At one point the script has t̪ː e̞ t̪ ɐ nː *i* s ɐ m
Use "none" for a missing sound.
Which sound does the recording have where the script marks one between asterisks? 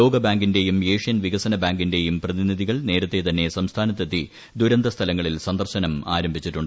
e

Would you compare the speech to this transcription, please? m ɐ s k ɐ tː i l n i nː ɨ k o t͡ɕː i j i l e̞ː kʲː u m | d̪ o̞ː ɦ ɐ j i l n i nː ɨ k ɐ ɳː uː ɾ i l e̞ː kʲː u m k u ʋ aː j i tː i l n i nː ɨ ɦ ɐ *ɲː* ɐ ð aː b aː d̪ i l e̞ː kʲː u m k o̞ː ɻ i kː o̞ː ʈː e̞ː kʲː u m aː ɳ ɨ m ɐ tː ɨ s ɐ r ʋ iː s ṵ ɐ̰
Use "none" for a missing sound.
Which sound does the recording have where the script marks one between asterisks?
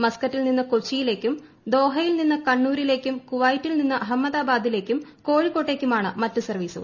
mː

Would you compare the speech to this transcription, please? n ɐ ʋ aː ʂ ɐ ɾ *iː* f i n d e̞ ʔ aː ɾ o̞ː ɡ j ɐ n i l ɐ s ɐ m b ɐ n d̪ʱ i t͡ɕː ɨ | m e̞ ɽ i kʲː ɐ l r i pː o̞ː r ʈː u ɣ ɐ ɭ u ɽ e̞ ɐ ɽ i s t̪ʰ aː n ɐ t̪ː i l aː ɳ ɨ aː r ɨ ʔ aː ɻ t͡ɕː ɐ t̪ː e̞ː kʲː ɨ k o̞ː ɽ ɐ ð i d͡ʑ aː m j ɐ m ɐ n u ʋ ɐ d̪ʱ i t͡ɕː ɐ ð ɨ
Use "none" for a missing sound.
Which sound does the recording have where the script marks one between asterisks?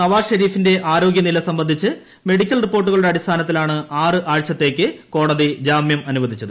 iː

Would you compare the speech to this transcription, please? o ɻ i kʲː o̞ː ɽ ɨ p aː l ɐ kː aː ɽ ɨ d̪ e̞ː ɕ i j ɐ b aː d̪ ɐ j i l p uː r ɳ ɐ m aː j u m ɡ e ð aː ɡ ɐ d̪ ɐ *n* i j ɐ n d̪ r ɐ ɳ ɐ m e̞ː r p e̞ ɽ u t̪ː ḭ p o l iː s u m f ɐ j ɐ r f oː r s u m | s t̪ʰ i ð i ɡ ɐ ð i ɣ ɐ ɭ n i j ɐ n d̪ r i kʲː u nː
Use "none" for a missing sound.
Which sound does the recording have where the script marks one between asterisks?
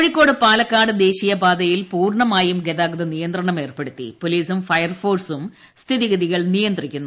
n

